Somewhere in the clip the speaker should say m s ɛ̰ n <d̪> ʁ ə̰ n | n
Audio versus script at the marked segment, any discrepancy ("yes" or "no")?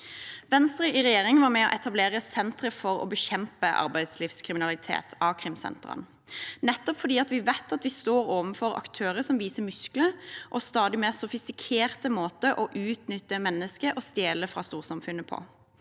yes